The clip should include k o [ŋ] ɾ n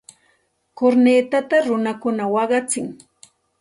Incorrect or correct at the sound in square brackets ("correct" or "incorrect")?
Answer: incorrect